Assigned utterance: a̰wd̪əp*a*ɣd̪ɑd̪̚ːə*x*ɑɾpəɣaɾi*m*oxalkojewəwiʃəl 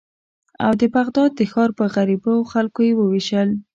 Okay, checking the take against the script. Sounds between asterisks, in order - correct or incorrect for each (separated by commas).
correct, correct, incorrect